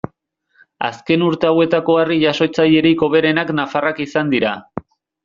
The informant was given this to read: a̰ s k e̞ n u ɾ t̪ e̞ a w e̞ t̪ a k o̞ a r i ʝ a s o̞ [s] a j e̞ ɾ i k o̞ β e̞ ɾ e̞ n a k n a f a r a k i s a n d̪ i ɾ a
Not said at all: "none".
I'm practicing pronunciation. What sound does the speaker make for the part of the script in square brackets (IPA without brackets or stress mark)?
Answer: t͡s